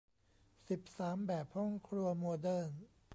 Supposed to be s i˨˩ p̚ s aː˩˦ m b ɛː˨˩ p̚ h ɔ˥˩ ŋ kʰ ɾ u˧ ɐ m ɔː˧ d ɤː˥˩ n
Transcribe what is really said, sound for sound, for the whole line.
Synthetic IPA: s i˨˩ p̚ s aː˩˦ m b ɛː˨˩ p̚ h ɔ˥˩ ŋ kʰ ɾ u˧ ɐ m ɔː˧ d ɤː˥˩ n

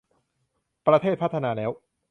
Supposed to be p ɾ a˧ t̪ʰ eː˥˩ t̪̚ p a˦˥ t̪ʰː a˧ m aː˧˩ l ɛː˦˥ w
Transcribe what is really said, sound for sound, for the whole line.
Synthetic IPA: p ɾ a˧ t̪ʰ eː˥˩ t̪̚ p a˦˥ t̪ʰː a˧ n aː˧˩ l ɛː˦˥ w

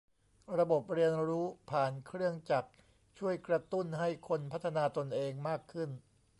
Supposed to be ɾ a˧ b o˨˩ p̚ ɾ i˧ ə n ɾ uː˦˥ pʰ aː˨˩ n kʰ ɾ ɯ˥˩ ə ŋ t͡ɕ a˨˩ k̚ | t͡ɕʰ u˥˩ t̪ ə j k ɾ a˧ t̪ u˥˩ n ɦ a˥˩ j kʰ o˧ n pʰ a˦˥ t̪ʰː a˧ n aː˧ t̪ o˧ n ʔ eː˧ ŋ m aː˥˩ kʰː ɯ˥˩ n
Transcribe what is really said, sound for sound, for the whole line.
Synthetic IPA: ɾ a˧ b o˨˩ p̚ ɾ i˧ ə n ɾ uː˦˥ pʰ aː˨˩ n kʰ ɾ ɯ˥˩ ə ŋ t͡ɕ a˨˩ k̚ | t͡ɕʰ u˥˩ ə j k ɾ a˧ t̪ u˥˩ n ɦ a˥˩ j kʰ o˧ n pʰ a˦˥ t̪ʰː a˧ n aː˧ t̪ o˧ n ʔ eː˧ ŋ m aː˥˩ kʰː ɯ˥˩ n

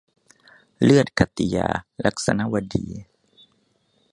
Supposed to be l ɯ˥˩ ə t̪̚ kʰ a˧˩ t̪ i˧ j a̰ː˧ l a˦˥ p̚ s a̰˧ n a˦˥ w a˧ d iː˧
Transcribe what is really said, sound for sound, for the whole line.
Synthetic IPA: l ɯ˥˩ ə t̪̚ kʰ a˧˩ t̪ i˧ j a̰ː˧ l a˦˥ k̚ s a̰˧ n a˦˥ w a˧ d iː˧

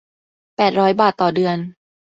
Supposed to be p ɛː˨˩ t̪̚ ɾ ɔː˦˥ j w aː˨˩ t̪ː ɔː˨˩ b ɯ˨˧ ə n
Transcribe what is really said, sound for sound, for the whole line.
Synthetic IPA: p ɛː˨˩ t̪̚ ɾ ɔː˦˥ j b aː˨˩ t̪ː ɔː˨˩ d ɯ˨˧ ə n

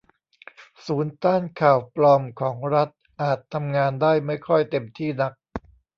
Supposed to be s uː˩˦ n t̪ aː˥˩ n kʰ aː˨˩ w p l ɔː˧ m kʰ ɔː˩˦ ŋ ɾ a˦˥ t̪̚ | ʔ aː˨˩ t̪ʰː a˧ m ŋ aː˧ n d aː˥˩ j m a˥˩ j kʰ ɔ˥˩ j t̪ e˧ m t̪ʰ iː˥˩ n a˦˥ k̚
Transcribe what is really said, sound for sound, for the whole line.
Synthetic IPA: s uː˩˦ n t̪ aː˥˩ n kʰ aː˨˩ w p l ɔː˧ m kʰ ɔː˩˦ ŋ ɾ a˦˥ t̪̚ | ʔ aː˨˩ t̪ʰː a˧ m ŋ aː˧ n d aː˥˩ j m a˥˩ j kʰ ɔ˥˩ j t̪ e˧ m t̪ʰ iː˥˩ n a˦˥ k̚

